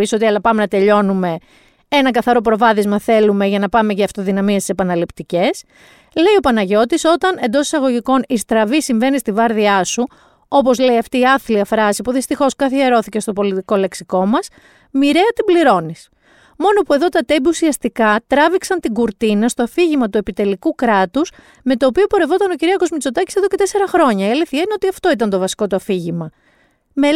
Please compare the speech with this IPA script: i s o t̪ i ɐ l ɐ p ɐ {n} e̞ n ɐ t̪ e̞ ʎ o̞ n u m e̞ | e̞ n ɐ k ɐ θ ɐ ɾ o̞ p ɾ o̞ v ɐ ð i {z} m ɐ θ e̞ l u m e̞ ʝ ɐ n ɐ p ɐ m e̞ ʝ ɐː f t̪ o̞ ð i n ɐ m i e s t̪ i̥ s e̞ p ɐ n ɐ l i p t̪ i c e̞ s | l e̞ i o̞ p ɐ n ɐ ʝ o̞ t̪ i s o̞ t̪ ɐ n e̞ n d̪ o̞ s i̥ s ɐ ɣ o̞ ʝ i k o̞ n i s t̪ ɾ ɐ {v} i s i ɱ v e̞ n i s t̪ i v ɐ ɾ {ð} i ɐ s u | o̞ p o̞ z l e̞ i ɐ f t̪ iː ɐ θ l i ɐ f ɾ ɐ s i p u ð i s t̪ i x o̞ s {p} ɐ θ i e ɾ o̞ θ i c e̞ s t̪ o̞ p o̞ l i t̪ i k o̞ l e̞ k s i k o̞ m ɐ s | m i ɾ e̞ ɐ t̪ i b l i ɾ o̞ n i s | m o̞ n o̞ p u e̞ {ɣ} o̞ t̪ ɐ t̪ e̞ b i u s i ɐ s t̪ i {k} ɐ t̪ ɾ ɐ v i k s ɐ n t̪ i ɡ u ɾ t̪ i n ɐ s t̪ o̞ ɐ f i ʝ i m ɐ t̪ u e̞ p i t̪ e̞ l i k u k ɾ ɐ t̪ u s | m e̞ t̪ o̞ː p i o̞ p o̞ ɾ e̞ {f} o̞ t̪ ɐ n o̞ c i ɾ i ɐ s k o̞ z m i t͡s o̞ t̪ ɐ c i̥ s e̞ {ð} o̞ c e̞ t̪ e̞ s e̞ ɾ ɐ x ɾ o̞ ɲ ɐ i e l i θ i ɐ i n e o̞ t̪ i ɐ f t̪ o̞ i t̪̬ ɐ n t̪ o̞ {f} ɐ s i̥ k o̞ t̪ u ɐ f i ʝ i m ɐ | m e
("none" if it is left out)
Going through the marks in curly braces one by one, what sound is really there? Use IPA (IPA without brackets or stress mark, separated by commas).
m, z, v, ð, k, ð, k, v, ð, v